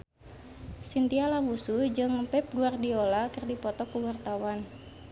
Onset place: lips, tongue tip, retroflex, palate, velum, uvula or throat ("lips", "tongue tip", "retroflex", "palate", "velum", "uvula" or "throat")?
tongue tip